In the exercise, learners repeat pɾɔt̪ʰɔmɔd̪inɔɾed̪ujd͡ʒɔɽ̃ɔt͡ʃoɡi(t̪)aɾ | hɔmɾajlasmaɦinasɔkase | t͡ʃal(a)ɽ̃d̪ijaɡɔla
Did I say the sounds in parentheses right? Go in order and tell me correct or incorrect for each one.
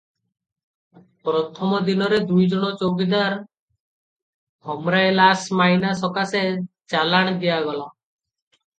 incorrect: d̪, correct

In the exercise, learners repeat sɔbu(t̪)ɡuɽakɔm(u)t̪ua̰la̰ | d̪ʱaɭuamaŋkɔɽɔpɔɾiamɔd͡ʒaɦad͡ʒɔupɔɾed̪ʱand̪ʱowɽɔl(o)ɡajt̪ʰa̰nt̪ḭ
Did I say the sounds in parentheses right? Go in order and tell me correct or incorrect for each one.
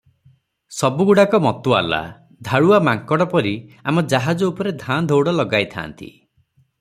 incorrect: none, incorrect: ɔ, incorrect: ɔ

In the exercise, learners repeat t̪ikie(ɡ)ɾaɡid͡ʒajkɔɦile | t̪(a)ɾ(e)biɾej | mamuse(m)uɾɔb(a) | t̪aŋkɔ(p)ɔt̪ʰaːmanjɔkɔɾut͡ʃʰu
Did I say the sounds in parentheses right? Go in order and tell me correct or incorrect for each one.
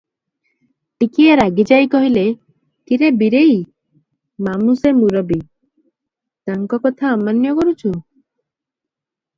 incorrect: none, incorrect: i, correct, correct, incorrect: i, incorrect: k

